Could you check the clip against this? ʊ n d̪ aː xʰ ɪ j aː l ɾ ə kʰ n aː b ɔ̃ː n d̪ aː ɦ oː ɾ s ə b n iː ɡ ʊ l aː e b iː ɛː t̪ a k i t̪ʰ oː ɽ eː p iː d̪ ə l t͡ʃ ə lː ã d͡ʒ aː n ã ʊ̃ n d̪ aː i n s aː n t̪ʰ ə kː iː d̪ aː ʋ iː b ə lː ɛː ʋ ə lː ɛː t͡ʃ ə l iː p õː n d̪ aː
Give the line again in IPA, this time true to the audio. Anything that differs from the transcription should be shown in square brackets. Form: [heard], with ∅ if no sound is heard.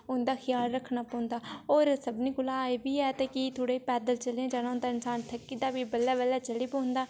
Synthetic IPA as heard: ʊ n d̪ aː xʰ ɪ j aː l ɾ ə kʰ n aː [p] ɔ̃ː n d̪ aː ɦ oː ɾ s ə b n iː ɡ ʊ l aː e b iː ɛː t̪ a k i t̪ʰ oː ɽ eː p [ɛː] d̪ ə l t͡ʃ ə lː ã d͡ʒ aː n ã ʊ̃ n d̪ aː [ɪ] n s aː n t̪ʰ ə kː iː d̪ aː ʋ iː b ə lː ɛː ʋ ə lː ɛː t͡ʃ ə l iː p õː n d̪ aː